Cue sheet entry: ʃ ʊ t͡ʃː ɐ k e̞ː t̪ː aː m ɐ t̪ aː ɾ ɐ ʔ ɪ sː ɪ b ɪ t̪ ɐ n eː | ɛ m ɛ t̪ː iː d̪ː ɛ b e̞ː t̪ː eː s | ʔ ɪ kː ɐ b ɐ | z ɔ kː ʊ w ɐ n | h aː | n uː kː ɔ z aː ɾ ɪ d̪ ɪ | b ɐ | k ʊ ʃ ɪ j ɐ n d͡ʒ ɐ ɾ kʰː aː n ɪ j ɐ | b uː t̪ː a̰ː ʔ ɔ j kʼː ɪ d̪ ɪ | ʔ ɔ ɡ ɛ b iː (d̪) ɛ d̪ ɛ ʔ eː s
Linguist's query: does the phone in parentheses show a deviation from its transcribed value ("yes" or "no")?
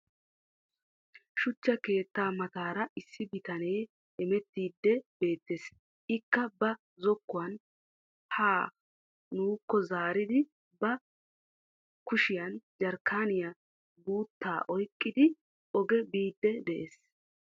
yes